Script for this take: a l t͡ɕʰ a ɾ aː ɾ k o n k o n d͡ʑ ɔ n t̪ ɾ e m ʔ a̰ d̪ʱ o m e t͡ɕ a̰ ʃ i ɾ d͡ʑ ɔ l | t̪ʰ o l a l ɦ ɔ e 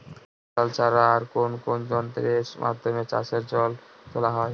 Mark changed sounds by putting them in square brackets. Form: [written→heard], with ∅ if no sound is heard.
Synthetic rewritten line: a l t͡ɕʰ a ɾ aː ɾ k o n k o n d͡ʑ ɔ n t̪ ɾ e m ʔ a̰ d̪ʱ o m e t͡ɕ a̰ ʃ [i→e] ɾ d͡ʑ ɔ l | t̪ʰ o l a [l→∅] ɦ ɔ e